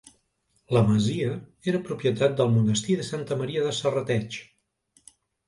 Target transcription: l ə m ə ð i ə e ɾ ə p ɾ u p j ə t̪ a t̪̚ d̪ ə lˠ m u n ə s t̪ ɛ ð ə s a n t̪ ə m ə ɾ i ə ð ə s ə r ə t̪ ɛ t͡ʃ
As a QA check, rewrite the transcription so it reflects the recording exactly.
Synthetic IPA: l ə m ə z i ə e ɾ ə p ɾ u p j ə t̪ a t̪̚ d̪ ə lˠ m u n ə s t̪ i ð ə s a n t̪ ə m ə ɾ i ə ð ə s ə r ə t̪ ɛ t͡ʃ